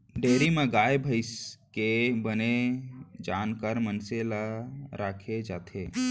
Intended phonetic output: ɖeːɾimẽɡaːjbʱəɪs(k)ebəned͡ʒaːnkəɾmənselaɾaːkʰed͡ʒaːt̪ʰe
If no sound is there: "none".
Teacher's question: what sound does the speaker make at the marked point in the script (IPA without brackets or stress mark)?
k